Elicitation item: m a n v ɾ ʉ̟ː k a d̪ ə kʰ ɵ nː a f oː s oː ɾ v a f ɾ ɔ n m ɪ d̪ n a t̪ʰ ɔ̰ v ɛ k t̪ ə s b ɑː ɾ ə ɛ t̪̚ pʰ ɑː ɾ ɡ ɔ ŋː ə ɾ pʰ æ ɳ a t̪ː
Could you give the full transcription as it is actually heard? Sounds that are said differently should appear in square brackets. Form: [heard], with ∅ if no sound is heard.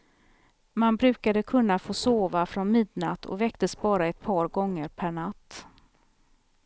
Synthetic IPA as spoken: m a n [b] ɾ ʉ̟ː k a d̪ ə kʰ ɵ nː a f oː s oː [∅] v a f ɾ ɔ n m ɪ d̪ n a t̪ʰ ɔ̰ v ɛ k t̪ ə s b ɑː ɾ [a] ɛ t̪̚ pʰ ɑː ɾ ɡ ɔ ŋː ə ɾ pʰ æ ɳ a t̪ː